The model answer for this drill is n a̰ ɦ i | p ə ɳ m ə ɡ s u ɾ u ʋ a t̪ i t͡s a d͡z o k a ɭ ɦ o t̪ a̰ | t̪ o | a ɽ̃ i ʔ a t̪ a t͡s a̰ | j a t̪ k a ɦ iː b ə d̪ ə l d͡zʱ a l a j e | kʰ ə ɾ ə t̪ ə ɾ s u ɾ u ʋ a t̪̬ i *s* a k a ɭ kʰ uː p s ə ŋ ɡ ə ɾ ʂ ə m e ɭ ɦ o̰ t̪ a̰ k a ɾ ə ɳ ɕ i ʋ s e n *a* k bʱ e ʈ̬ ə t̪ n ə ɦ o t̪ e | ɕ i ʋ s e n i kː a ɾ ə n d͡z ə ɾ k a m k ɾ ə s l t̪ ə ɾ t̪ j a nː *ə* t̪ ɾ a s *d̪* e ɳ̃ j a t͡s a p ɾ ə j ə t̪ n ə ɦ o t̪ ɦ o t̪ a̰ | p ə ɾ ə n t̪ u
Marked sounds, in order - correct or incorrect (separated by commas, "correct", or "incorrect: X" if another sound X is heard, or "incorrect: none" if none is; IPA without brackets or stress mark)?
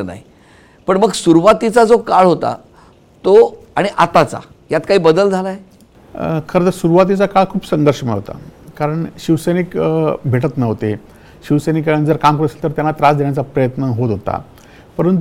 incorrect: t͡s, incorrect: i, incorrect: a, correct